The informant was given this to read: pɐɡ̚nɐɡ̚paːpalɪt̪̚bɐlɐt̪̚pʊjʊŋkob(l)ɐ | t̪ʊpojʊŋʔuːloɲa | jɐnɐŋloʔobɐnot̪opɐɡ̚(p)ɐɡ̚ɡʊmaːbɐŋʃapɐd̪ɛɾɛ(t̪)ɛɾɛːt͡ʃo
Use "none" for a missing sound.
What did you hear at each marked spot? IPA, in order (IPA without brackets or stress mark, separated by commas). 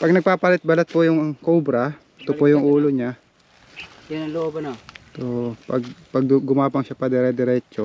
ɾ, p, d̪